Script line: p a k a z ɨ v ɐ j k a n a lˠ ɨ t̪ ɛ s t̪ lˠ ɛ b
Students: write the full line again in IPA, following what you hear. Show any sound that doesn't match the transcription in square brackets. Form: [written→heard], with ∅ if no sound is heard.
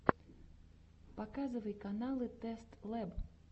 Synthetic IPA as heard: p a k a z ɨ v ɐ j k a n a lˠ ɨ t̪ ɛ s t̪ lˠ ɛ b